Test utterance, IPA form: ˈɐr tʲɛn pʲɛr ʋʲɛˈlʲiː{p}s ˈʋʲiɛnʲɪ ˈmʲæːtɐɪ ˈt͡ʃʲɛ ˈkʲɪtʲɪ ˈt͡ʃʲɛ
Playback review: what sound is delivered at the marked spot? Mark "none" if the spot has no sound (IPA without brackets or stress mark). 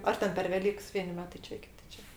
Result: k